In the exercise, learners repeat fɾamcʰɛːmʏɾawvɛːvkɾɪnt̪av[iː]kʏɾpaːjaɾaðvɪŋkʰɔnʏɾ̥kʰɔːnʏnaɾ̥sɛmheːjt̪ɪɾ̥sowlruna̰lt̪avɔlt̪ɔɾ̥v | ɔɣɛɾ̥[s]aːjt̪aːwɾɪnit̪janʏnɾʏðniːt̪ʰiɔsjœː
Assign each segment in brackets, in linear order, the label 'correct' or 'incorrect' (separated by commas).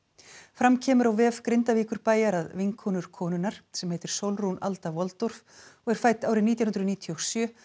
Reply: correct, incorrect